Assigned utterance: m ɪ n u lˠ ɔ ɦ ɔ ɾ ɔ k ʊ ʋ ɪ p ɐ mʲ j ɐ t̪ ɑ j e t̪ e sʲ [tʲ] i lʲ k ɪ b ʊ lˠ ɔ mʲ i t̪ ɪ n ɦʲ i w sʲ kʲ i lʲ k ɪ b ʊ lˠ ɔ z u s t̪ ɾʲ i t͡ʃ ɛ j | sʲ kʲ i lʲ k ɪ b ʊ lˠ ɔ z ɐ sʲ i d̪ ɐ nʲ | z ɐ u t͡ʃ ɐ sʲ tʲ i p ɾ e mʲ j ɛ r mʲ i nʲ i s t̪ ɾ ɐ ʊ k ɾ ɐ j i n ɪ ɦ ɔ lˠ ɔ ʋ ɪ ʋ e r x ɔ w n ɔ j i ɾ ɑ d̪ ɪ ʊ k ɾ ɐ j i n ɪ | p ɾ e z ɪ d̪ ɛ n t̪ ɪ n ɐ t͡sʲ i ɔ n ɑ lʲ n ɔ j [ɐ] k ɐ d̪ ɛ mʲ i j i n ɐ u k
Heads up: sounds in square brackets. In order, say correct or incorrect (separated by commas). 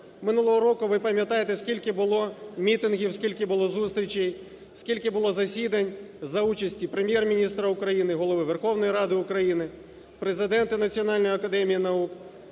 incorrect, correct